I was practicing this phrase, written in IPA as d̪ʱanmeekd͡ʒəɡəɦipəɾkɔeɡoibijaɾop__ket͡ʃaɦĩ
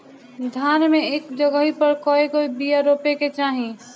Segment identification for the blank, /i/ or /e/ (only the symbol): e